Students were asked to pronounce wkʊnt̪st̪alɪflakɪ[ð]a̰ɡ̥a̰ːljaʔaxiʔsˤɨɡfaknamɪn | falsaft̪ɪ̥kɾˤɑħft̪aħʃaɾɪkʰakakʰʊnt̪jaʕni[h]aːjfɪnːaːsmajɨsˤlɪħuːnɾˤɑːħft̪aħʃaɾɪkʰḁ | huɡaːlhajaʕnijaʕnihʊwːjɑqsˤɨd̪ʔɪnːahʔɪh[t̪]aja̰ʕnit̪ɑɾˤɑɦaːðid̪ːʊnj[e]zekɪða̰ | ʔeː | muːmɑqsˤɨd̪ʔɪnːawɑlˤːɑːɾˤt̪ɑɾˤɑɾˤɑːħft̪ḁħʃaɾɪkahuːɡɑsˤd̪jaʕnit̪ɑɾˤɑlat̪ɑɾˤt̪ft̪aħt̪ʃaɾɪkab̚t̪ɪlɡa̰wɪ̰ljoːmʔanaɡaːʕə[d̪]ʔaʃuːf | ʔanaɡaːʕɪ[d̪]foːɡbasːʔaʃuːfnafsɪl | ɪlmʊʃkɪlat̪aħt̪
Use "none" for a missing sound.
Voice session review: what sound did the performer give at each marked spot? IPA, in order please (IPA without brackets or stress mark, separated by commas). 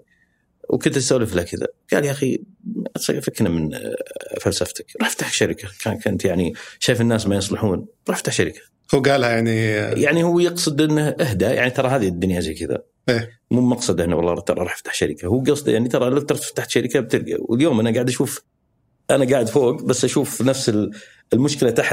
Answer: ð, ʃ, d̪, a, d̪, d̪